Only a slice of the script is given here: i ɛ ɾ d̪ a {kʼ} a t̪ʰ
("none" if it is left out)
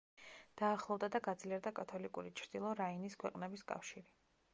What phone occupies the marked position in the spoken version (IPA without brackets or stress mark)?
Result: kʼ